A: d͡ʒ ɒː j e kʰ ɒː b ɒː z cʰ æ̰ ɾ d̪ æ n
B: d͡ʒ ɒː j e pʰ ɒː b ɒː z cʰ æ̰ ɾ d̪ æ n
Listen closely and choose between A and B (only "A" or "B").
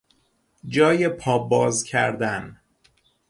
B